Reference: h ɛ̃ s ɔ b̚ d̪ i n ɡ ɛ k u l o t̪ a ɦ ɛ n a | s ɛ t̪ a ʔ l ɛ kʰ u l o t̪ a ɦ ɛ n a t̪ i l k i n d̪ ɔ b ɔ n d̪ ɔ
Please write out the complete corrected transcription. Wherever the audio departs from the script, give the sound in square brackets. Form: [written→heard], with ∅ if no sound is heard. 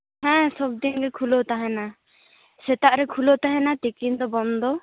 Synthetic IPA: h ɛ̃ s ɔ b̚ d̪ i n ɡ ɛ [k→kʰ] u l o t̪ a ɦ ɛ n a | s ɛ t̪ a ʔ [l→ɾ] ɛ kʰ u l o t̪ a ɦ ɛ n a t̪ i [l→∅] k i n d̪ ɔ b ɔ n d̪ ɔ